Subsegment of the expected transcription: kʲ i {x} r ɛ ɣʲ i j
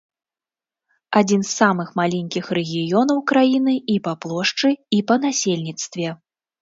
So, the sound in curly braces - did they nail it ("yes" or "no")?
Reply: yes